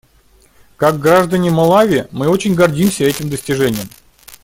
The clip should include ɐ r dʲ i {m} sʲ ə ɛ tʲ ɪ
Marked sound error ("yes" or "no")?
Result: no